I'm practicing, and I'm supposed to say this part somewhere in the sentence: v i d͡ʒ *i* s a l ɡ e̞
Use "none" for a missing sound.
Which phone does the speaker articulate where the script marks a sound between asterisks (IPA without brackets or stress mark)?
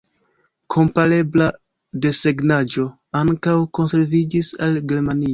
i